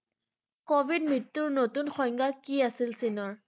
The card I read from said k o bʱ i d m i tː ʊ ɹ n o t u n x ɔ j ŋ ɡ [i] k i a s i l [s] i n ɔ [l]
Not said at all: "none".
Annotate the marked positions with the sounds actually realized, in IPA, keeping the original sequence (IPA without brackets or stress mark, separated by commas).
a, s, ɹ